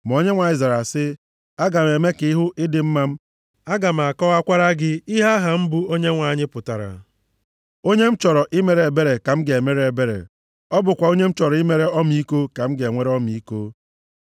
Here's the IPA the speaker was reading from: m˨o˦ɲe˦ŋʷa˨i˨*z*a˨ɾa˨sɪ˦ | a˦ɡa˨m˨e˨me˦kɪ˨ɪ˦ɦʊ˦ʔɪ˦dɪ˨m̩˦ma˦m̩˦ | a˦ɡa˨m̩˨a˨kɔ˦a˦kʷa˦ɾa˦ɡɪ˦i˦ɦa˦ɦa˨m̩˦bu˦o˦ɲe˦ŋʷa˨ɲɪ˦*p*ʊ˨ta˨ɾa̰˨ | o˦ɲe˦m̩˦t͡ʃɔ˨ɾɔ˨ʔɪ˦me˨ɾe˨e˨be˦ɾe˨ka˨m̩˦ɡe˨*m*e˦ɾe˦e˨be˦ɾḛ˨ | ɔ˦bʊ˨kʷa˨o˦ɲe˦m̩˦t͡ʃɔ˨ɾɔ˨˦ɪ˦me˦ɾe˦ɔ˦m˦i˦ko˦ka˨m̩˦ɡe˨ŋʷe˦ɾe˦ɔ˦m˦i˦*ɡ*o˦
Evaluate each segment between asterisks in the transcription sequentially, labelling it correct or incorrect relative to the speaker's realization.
correct, correct, correct, incorrect: k

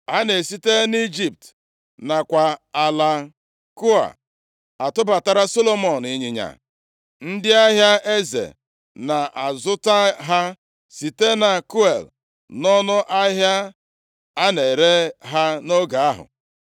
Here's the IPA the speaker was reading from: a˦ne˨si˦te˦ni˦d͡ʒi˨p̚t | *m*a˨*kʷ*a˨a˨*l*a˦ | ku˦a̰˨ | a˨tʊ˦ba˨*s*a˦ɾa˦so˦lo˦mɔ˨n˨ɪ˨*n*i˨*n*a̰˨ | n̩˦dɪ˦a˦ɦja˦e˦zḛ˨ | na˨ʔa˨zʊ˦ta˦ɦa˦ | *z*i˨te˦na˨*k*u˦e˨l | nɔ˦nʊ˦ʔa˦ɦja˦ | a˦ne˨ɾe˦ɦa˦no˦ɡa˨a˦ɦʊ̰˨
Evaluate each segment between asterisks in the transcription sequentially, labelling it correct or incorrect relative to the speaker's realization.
incorrect: n, correct, correct, incorrect: t, incorrect: ɲ, incorrect: ɲ, incorrect: s, correct

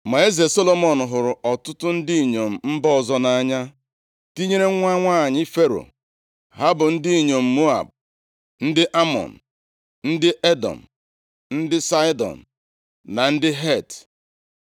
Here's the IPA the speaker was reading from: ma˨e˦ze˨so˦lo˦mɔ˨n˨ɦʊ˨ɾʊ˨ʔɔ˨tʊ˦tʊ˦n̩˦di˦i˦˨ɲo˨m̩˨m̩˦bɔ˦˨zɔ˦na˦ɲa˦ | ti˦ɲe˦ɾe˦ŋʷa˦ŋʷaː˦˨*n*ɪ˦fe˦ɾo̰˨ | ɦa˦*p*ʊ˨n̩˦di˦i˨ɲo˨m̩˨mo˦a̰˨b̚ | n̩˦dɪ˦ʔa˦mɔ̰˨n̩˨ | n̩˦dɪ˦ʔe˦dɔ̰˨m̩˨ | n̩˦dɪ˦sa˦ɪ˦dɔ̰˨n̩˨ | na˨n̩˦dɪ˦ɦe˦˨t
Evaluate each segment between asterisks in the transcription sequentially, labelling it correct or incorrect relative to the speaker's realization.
incorrect: ɲ, incorrect: b

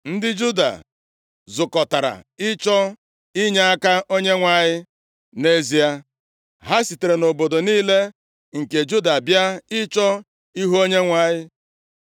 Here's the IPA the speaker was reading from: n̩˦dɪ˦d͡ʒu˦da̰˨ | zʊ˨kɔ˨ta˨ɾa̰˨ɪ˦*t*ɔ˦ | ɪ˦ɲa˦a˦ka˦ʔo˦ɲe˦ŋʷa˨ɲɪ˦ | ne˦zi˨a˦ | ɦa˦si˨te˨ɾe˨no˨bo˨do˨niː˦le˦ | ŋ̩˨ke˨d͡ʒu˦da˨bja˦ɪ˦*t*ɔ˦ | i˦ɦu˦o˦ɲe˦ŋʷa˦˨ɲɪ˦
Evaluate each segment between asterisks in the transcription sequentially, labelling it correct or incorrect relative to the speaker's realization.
incorrect: t͡ʃ, incorrect: t͡ʃ

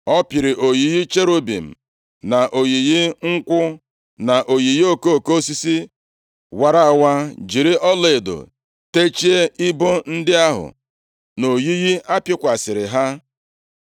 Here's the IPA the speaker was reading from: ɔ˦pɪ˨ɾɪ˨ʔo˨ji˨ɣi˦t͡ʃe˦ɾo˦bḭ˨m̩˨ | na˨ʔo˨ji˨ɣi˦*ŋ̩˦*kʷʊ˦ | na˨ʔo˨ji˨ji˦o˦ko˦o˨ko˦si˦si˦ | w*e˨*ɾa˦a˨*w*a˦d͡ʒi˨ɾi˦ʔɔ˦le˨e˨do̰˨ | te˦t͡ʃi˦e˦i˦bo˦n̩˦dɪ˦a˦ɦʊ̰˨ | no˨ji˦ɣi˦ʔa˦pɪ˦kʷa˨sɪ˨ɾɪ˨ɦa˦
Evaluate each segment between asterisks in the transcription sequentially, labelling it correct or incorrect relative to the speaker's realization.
correct, incorrect: a˨, correct

